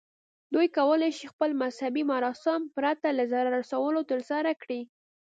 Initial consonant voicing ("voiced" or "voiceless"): voiced